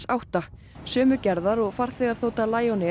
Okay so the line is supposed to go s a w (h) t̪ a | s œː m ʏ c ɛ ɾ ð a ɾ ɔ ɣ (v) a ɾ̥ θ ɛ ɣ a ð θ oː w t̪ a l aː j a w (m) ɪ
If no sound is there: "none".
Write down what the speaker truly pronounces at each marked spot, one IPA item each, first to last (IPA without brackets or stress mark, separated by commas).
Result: h, f, n